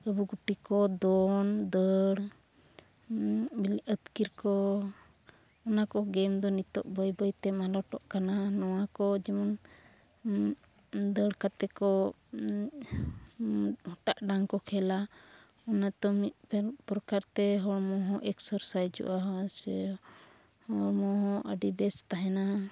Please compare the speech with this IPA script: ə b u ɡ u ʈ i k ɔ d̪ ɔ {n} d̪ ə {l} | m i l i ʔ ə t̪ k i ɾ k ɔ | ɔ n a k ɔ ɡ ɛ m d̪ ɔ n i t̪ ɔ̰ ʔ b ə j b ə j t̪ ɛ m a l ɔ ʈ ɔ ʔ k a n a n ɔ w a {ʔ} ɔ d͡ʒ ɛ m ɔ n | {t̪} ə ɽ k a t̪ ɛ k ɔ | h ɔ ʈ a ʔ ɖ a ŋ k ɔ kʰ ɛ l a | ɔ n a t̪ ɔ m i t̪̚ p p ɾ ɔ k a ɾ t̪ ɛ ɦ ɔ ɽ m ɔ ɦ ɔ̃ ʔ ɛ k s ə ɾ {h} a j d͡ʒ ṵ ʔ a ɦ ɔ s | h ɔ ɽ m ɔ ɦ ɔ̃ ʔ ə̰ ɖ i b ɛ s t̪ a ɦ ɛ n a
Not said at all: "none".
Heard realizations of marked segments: n, ɽ, k, d̪, s

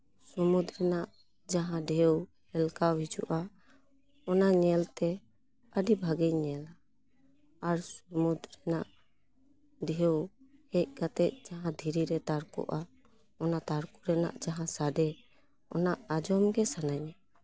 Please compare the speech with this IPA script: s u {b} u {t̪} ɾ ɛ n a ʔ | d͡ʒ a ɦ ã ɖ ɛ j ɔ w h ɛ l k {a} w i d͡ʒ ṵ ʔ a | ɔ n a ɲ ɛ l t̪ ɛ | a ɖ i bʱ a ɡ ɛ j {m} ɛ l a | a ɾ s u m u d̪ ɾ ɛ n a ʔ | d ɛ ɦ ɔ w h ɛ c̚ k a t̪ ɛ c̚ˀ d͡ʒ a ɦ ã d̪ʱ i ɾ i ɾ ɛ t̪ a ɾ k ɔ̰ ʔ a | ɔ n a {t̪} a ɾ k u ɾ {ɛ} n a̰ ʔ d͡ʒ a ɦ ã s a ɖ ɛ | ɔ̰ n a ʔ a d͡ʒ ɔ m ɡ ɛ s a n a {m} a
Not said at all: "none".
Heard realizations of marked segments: m, d̪, a, ɲ, t̪, ɛ, ɲ

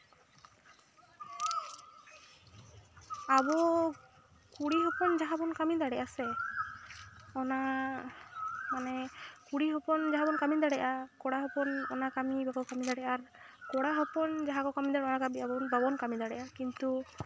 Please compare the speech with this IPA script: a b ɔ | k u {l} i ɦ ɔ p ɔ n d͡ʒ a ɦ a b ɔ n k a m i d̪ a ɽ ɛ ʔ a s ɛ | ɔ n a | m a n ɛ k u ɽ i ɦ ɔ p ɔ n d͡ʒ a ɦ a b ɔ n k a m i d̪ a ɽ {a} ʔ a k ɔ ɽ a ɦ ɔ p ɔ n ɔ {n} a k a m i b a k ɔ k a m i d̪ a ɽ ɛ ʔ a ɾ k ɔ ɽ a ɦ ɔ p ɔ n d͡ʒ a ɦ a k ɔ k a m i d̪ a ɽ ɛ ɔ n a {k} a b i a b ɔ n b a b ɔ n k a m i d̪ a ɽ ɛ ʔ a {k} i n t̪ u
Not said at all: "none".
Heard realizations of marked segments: ɽ, ɛ, n, k, k

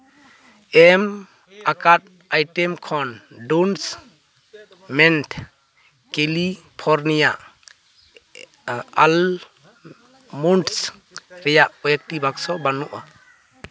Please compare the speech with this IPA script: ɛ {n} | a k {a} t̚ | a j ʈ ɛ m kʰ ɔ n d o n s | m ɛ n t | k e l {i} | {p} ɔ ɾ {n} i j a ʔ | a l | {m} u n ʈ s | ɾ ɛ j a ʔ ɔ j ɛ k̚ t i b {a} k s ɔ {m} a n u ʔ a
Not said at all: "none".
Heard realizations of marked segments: m, a, i, pʰ, n, m, a, b

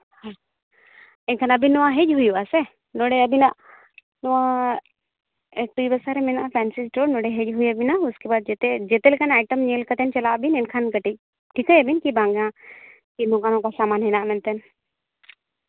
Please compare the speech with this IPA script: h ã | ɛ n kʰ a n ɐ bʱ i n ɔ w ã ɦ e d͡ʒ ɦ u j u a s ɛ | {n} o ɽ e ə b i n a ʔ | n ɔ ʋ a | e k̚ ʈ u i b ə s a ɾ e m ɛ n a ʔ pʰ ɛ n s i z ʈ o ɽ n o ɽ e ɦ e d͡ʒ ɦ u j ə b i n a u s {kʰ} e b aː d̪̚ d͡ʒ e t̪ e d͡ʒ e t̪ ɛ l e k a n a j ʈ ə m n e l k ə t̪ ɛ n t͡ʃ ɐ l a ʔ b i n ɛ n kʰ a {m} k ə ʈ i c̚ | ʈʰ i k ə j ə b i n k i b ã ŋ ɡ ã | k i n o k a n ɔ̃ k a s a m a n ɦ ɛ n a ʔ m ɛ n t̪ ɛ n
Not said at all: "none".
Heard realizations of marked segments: n, k, n

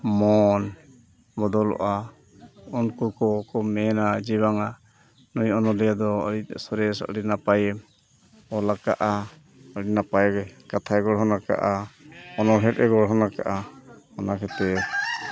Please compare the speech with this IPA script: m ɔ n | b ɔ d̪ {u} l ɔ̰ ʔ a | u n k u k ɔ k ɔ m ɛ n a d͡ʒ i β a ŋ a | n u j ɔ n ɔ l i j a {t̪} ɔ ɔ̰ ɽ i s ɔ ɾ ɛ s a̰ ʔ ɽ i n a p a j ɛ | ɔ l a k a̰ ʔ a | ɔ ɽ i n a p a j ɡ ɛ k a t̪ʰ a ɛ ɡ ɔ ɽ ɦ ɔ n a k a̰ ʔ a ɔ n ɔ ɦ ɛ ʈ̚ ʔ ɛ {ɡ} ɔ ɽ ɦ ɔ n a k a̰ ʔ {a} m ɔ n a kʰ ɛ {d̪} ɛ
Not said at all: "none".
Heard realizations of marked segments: ɔ, d̪, ɡ, a, t̪

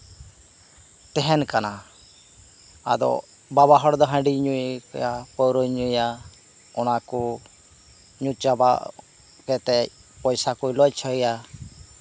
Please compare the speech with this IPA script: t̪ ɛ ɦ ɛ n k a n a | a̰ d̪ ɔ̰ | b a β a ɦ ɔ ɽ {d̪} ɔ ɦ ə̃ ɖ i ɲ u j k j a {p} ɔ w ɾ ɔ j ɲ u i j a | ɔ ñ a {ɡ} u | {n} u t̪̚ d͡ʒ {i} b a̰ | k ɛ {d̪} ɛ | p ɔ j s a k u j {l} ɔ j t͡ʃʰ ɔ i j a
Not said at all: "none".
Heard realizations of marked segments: d̪, p, k, ɲ, a, t̪, l

